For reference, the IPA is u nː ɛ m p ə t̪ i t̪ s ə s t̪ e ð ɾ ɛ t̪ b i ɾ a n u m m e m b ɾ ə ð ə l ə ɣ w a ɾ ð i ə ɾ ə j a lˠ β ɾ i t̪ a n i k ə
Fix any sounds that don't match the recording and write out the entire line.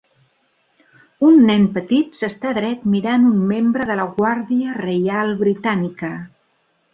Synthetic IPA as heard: u nː ɛ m p ə t̪ i t̪ s ə s t̪ a ð ɾ ɛ t̪ m i ɾ a n u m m e m b ɾ ə ð ə l ə ɣ w a ɾ ð i ə r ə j a lˠ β ɾ i t̪ a n i k ə